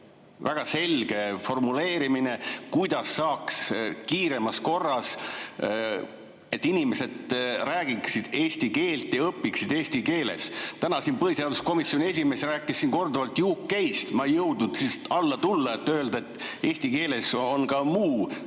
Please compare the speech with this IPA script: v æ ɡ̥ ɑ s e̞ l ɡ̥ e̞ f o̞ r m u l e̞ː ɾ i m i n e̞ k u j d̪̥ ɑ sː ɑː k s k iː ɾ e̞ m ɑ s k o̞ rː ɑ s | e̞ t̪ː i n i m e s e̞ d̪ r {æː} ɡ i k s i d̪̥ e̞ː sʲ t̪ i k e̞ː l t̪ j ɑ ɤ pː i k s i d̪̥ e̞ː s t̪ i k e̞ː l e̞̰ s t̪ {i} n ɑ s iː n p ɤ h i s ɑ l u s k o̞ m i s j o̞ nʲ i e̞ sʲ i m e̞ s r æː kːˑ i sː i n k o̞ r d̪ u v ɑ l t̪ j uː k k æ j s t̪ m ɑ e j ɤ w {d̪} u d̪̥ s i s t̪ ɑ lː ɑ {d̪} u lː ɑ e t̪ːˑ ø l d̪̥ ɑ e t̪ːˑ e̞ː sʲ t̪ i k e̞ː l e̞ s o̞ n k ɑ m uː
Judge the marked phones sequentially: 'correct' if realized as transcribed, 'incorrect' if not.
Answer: correct, incorrect, correct, incorrect

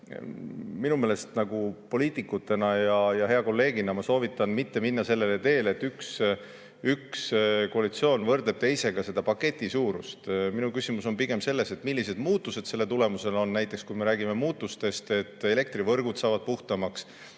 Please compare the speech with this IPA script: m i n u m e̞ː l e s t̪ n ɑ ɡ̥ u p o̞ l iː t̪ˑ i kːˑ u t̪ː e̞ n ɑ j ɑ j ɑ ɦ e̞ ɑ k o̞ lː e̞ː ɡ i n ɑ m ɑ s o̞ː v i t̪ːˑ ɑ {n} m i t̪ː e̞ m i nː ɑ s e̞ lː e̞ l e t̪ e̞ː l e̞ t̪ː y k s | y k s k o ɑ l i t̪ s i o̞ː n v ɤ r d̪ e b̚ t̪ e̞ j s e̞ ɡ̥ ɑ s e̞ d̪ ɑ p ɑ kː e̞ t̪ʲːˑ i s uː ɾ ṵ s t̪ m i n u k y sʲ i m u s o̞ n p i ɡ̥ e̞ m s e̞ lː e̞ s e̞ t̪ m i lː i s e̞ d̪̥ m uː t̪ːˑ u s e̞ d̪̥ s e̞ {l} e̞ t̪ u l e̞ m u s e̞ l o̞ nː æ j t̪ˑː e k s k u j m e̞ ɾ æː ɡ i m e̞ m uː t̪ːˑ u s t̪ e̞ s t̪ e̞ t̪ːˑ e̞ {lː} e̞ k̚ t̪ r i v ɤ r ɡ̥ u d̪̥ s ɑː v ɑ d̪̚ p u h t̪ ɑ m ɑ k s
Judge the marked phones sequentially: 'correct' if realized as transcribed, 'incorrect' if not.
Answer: correct, incorrect, incorrect

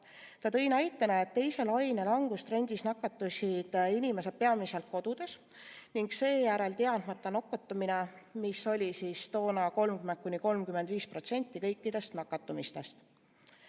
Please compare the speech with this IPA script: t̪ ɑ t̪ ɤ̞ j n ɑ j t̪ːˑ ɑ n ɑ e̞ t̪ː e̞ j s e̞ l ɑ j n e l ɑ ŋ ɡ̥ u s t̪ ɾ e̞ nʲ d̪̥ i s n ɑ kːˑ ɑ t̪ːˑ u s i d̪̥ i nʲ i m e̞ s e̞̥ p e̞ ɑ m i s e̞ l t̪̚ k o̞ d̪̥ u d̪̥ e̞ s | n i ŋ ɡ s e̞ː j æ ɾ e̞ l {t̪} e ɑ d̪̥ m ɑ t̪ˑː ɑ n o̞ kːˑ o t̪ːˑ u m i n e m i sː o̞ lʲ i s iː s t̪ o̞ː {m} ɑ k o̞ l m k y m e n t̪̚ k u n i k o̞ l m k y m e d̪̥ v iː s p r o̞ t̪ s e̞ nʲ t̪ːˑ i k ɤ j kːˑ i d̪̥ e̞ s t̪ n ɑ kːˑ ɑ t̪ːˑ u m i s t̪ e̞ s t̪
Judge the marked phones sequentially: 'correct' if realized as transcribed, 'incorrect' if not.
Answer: correct, incorrect

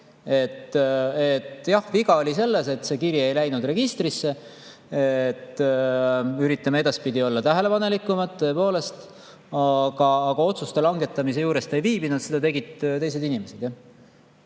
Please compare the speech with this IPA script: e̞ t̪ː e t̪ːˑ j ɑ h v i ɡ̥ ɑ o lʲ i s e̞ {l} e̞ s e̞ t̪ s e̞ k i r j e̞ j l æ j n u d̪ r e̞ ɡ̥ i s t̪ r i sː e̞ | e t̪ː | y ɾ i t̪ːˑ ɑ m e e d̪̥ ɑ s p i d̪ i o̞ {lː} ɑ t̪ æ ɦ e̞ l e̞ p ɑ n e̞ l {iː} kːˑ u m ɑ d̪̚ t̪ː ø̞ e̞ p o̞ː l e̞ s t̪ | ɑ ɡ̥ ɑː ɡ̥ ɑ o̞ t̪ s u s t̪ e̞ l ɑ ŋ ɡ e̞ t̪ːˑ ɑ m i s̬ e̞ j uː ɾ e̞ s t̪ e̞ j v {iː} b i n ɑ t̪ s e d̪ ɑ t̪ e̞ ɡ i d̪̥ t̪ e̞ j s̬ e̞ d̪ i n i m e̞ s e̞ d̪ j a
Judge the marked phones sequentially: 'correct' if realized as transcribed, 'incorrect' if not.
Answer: incorrect, correct, incorrect, correct

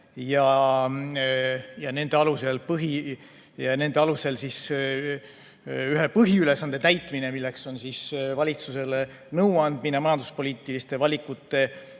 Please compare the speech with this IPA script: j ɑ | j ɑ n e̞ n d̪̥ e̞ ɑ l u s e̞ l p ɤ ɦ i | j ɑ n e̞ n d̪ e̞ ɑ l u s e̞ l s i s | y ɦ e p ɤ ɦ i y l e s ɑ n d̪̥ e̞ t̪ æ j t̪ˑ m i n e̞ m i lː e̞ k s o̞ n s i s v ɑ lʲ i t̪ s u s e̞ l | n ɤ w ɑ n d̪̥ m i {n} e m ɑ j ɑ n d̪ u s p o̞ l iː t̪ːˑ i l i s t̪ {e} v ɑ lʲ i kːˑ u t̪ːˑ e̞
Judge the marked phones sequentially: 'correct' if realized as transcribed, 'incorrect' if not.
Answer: correct, correct

